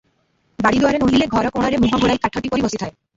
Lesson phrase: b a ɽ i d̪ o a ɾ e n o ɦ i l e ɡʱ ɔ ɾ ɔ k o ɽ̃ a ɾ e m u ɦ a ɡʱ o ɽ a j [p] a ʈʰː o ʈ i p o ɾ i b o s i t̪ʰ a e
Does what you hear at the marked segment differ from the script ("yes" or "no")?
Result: yes